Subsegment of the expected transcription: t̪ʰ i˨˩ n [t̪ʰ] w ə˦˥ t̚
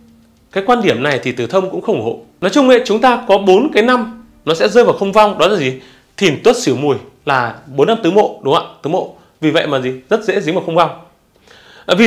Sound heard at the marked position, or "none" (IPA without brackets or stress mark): t̪